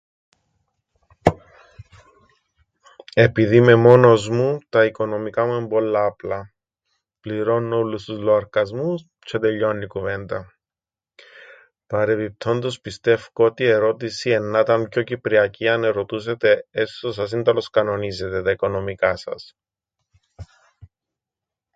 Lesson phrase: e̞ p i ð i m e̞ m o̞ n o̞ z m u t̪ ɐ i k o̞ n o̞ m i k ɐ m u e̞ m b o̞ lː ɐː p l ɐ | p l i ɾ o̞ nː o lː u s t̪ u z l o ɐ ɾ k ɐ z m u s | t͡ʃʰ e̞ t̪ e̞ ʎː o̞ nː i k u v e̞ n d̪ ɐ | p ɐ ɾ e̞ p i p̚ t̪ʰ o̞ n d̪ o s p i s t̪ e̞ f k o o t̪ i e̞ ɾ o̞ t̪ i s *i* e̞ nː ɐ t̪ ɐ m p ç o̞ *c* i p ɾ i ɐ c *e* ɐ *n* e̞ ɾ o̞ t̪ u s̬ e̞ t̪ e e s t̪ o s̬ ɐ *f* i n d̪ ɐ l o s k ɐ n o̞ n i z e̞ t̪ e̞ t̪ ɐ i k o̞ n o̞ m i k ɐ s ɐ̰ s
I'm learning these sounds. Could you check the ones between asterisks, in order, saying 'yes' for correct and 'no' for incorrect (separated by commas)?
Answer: yes, yes, no, yes, no